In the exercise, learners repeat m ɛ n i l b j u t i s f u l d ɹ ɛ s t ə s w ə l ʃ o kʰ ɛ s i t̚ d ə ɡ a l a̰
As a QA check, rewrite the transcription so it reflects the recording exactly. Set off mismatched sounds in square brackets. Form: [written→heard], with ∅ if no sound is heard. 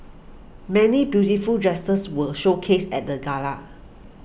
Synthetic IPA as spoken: m ɛ n i [l→∅] b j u t i [s→∅] f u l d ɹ ɛ s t ə s w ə l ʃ o kʰ [ɛ→e] s [i→ɛ] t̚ d ə ɡ a l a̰